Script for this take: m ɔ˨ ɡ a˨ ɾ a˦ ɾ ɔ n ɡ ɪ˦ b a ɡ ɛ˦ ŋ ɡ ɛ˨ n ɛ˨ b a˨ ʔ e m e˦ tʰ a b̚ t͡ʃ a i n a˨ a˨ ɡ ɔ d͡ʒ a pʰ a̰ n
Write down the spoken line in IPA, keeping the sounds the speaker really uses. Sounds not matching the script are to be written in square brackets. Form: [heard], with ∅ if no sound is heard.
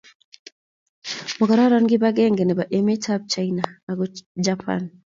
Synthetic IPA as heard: m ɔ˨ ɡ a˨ ɾ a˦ ɾ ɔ n ɡ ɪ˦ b a ɡ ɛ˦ ŋ ɡ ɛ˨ n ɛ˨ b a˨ ʔ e m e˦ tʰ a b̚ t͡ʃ a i n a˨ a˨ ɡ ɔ d͡ʒ a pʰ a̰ n